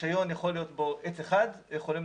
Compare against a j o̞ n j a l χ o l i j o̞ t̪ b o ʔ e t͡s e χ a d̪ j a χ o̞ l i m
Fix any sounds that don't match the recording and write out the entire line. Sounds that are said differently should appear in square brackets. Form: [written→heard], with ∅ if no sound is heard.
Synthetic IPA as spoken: a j o̞ n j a [l→∅] χ o l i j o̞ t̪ b o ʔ e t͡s e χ a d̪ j [a→e] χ o̞ l i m